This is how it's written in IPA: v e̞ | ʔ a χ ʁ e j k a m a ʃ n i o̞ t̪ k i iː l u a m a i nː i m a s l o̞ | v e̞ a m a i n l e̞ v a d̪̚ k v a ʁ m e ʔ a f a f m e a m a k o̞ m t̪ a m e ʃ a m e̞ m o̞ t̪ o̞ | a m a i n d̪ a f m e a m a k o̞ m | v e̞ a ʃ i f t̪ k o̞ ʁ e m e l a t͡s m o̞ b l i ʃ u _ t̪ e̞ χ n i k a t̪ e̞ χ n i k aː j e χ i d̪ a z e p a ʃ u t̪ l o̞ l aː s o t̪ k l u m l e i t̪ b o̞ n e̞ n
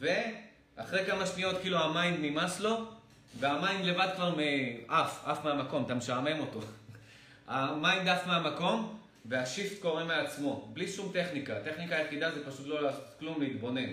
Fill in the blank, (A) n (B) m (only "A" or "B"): B